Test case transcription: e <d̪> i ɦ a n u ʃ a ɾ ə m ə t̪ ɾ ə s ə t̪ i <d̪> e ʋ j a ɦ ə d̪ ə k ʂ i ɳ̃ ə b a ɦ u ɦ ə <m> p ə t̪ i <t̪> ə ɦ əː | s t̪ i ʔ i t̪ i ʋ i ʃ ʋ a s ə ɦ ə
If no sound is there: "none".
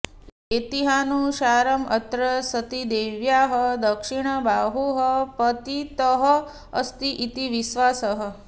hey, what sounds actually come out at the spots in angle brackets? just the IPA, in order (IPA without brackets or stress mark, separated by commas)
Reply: t̪, d̪, none, t̪